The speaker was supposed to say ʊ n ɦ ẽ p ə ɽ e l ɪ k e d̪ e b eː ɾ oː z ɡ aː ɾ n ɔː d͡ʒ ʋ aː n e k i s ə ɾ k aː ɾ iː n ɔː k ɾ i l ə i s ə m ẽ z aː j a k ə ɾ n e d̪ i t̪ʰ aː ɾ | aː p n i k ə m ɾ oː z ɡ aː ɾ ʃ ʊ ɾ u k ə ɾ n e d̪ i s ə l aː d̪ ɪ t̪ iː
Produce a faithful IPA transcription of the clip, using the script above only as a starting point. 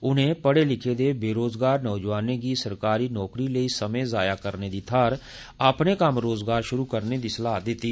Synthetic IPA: ʊ n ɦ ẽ p ə ɽ e l ɪ kʰ e d̪ e b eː ɾ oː z ɡ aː ɾ n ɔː d͡ʒ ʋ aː n e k i s ə ɾ k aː ɾ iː n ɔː k ɾ i l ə i s ə m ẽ z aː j a k ə ɾ n e d̪ i t̪ʰ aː ɾ | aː p n e k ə m ɾ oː z ɡ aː ɾ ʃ ʊ ɾ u k ə ɾ n e d̪ i s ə l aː d̪ ɪ t̪ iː